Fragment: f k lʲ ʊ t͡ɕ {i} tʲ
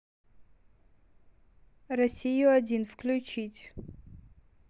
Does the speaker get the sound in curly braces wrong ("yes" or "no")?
no